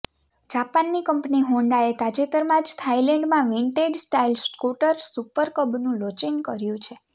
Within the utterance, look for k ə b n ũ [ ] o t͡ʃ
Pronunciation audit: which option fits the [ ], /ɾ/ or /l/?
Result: l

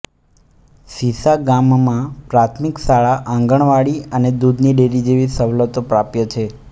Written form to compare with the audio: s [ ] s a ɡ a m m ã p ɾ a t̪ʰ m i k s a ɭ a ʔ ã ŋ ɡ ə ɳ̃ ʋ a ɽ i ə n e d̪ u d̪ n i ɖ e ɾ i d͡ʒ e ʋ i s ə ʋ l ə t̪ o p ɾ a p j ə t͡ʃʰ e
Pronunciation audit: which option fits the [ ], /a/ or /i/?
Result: i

